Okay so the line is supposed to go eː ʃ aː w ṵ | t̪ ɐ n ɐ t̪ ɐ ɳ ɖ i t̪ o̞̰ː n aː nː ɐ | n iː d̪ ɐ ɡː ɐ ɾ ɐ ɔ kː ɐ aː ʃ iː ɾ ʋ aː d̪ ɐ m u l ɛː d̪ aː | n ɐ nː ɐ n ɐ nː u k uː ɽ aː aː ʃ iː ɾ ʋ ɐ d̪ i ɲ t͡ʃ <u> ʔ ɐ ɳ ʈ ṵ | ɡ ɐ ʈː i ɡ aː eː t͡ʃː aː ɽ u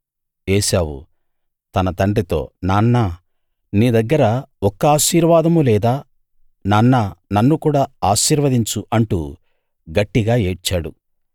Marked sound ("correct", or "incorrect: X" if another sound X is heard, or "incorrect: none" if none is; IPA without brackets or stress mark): correct